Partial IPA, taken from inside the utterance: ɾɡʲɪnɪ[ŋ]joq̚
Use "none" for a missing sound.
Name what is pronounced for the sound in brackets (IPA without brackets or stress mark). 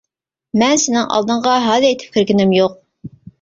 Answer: m